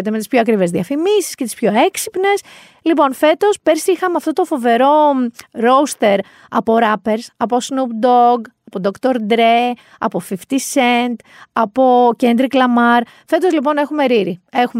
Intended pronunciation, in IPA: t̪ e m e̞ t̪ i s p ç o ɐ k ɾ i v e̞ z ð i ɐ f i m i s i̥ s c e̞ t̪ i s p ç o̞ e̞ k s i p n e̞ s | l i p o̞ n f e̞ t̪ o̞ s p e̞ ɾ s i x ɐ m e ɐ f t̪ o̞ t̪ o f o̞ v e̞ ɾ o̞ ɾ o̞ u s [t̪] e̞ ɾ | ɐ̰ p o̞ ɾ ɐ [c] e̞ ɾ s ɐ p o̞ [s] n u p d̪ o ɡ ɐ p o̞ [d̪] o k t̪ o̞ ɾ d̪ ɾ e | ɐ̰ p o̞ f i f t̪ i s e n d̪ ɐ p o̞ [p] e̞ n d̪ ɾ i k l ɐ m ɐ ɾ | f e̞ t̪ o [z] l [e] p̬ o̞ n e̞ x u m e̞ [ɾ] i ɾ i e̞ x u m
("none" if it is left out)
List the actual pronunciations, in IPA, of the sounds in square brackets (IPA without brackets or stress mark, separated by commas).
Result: t̪, p, s, d̪, c, z, i, ɾ